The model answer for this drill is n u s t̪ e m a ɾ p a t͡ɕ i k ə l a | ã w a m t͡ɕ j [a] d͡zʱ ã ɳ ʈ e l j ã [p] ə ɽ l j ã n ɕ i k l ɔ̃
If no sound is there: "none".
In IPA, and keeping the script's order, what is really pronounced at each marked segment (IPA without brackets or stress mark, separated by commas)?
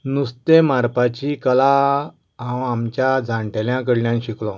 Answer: a, k